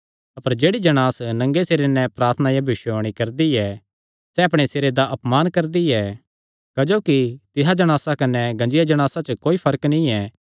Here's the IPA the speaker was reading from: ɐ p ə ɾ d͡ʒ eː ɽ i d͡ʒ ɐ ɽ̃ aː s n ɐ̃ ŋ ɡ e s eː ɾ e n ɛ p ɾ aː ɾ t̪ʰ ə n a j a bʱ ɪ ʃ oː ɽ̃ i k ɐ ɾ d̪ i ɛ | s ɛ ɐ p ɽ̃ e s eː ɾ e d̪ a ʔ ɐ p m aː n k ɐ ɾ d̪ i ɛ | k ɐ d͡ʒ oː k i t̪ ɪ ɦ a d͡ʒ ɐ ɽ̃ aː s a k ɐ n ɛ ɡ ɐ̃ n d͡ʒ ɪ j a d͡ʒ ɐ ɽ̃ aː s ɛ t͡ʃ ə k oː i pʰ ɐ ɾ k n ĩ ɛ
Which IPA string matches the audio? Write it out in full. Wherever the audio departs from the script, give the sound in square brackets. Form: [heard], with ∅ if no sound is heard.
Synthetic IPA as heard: ɐ p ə ɾ d͡ʒ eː ɽ i d͡ʒ ɐ ɽ̃ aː s n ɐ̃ ŋ ɡ e s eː ɾ e n ɛ p ɾ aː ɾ t̪ʰ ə n a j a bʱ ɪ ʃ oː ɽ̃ i k ɐ ɾ d̪ i ɛ | s ɛ ɐ p ɽ̃ e s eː ɾ e d̪ a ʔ ɐ p m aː n k ɐ ɾ d̪ i ɛ | k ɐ d͡ʒ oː k i t̪ ɪ ɦ a d͡ʒ ɐ ɽ̃ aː s a k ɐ n ɛ ɡ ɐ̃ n d͡ʒ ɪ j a d͡ʒ ɐ ɽ̃ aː s [a] t͡ʃ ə k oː i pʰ ɐ ɾ k n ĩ ɛ